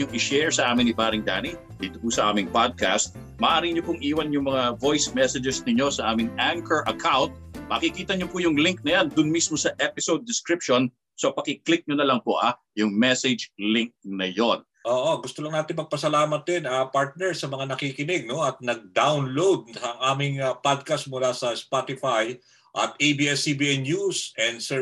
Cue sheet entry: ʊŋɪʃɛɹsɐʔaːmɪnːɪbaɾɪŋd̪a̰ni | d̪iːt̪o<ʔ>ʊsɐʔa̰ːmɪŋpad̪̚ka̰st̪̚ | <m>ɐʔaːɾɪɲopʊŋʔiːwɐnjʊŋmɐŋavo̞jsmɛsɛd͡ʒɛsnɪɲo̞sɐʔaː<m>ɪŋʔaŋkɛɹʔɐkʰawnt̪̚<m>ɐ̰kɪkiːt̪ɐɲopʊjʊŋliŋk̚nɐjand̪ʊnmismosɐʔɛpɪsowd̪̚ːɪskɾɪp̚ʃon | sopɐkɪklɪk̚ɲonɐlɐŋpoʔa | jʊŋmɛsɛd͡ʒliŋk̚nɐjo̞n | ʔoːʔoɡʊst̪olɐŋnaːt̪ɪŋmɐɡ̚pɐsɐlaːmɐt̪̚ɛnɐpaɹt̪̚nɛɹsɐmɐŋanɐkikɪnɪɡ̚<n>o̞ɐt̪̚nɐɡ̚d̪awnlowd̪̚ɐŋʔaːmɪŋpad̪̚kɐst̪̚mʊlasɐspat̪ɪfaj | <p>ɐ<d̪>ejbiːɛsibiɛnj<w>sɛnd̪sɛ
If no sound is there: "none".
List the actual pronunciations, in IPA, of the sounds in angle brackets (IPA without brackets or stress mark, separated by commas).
p, m, m, m, n, ʔ, t̪, u